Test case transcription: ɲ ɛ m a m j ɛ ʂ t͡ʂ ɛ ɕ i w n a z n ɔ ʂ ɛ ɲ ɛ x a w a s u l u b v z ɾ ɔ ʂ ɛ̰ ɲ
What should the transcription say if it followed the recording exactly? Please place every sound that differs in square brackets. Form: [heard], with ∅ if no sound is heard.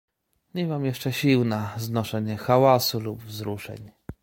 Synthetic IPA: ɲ ɛ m a m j ɛ ʂ t͡ʂ ɛ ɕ i w n a z n ɔ ʂ ɛ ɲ ɛ x a w a s u l u b v z ɾ [u] ʂ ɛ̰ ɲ